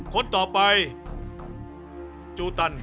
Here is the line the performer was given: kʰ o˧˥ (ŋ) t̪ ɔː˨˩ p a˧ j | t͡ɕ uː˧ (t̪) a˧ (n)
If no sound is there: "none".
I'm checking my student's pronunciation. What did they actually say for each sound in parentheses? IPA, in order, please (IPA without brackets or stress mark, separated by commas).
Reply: n, t̪, n